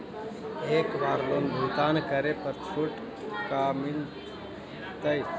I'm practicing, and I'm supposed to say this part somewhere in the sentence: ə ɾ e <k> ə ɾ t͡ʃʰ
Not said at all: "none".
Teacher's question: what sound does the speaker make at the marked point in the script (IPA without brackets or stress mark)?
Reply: p